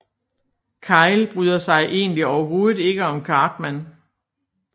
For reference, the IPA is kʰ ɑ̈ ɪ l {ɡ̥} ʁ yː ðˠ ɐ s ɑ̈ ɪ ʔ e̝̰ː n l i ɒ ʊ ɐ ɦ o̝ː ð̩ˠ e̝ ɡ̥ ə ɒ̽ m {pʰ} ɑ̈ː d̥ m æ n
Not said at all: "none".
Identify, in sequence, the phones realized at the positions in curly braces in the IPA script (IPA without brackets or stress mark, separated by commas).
b̥, kʰ